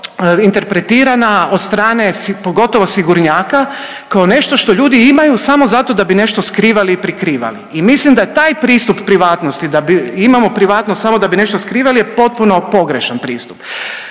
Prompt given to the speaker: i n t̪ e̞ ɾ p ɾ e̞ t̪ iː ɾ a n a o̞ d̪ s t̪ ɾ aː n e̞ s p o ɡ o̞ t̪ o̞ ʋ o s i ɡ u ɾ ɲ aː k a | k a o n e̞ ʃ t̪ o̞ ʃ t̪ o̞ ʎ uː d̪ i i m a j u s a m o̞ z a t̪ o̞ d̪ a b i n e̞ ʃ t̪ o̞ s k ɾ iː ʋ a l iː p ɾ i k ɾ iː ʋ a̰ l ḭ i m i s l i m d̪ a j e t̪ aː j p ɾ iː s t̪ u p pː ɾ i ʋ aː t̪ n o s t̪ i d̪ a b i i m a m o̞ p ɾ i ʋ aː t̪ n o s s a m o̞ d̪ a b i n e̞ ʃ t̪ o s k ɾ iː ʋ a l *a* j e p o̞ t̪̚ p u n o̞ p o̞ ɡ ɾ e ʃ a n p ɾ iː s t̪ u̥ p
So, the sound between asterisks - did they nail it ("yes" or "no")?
no